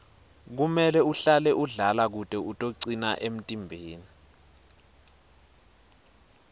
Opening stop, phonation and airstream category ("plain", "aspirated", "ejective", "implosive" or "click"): plain